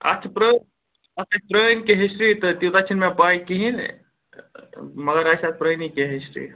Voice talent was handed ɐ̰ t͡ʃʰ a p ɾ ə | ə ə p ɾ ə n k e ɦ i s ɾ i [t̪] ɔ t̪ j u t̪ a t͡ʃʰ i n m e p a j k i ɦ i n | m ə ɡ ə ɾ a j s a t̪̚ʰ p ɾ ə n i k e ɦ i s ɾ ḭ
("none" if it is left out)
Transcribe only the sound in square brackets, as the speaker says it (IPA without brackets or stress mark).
t̪